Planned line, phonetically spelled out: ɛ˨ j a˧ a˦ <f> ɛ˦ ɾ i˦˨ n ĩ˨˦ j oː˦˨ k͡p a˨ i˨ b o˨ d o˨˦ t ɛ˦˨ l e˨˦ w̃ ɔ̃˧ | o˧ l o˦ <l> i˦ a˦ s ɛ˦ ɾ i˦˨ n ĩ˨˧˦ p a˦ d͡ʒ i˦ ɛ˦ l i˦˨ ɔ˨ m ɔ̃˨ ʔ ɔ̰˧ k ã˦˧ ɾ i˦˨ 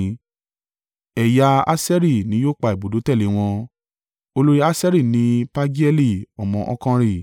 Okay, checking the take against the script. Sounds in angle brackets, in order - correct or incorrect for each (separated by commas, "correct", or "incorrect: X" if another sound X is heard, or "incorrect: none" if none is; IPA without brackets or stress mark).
incorrect: s, incorrect: ɾ